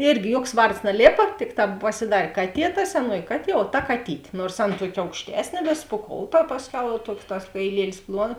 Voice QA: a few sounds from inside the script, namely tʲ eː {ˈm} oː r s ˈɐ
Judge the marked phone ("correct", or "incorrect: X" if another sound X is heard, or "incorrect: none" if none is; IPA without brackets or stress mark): incorrect: n